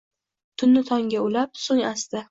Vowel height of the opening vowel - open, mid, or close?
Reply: close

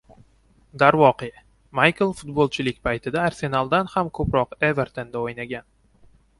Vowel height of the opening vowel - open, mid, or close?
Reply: open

